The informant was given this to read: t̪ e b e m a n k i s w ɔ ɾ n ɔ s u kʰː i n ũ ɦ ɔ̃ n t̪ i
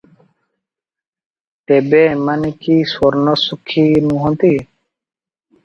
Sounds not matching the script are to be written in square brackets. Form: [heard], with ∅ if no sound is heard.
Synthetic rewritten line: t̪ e b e m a n k i s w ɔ ɾ n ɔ s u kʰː i n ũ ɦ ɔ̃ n t̪ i